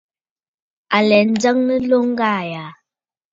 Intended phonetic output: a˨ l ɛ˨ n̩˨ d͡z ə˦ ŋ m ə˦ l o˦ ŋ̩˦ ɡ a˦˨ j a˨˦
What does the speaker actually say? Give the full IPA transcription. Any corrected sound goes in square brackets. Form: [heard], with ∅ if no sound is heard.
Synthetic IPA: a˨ l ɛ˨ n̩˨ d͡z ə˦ ŋ [n] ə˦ l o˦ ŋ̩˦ ɡ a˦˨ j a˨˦